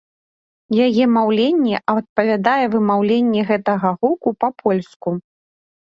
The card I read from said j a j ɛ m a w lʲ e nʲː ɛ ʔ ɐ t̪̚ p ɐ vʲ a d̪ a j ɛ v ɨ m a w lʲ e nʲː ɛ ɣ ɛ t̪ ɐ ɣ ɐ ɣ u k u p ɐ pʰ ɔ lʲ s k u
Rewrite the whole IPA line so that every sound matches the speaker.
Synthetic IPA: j a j ɛ m a w lʲ e nʲː ɛ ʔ ɐ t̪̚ p ɐ vʲ a d̪ a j ɛ v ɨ m a w lʲ e nʲː ɛ ɣ ɛ t̪ ɐ ɣ ɐ ɣ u k u p ɐ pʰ ɔ lʲ s k u